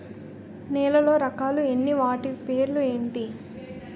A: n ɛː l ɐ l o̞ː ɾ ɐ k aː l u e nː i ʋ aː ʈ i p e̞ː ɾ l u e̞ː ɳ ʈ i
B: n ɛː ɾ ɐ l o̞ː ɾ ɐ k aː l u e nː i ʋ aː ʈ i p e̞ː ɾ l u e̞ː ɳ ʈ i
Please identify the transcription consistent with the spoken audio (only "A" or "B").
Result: A